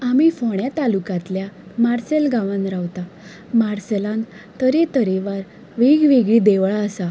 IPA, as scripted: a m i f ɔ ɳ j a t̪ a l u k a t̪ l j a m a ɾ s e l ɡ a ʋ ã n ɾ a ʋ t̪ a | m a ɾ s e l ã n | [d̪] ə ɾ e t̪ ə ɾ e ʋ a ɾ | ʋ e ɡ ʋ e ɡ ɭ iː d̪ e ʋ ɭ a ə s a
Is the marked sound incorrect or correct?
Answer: incorrect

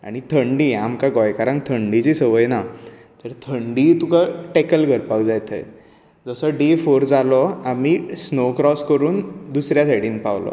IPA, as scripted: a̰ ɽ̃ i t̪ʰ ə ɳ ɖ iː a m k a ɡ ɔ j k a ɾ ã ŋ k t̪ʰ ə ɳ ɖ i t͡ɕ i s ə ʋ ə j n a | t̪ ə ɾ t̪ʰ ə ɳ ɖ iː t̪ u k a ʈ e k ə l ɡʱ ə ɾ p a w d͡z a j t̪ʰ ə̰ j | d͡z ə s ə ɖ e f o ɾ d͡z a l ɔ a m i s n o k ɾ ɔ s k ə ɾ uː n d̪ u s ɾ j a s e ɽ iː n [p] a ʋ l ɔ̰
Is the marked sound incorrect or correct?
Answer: correct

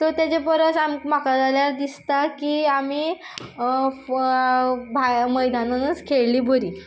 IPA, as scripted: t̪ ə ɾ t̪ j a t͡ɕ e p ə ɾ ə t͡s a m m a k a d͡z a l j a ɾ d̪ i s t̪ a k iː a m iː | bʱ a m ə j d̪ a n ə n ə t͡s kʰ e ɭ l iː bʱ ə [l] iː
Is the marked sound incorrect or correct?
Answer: incorrect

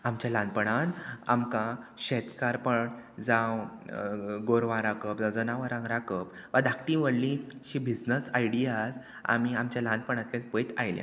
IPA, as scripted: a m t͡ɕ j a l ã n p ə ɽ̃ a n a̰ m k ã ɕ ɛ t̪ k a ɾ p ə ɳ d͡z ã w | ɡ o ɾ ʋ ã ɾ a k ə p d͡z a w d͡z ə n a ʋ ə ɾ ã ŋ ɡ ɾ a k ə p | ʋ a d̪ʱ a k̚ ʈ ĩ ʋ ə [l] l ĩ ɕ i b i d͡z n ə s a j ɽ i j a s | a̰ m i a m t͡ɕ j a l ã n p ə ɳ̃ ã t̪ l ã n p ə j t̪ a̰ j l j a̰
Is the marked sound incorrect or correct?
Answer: incorrect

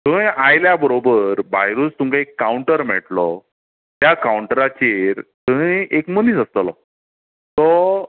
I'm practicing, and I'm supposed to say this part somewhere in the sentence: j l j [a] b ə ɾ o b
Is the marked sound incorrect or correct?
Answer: correct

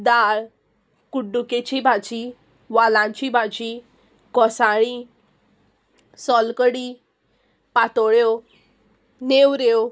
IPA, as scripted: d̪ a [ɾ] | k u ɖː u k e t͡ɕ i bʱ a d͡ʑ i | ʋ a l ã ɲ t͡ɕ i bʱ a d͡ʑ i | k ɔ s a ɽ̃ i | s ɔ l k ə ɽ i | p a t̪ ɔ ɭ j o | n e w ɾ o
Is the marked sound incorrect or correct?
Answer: incorrect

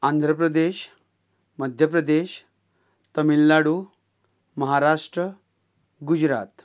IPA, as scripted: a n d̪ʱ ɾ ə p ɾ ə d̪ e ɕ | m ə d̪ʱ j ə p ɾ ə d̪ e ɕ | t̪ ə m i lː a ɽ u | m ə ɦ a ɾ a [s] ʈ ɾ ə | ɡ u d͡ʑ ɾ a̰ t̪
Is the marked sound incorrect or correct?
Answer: incorrect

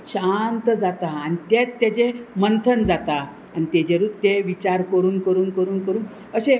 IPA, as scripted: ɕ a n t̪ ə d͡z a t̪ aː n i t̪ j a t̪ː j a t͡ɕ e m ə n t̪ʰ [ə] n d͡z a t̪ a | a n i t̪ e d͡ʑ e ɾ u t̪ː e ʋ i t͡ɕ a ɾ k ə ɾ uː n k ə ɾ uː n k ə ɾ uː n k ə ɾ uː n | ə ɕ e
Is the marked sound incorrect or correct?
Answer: correct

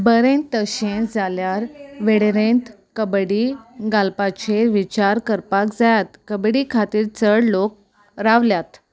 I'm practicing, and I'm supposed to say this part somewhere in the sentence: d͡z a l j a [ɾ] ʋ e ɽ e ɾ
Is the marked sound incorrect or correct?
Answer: correct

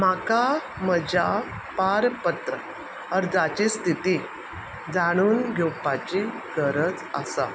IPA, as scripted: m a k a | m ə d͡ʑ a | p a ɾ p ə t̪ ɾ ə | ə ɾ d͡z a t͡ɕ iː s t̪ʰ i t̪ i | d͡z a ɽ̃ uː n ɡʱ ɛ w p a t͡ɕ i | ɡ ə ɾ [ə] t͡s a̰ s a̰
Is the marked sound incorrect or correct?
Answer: correct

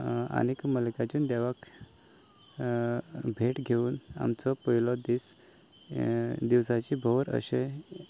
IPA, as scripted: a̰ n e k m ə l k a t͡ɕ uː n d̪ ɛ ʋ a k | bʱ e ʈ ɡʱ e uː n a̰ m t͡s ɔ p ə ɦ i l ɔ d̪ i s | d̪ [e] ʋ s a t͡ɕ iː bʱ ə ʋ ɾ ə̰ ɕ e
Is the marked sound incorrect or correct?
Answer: incorrect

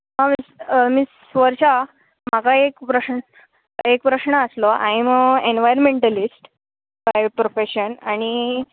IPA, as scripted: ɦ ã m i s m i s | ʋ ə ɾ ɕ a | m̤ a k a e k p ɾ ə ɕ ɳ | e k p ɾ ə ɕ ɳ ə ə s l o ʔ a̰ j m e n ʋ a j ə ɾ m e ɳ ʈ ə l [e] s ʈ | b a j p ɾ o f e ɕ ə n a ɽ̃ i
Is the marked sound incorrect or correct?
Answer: incorrect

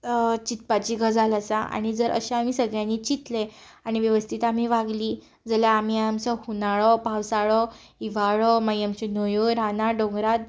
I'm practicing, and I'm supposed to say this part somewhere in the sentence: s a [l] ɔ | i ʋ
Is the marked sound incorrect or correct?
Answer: incorrect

